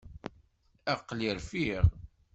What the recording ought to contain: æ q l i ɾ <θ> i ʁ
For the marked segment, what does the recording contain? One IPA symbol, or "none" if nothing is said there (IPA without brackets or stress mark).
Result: f